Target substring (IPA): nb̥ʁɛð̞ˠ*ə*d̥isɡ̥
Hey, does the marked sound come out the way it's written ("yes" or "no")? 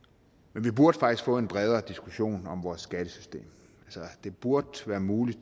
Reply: no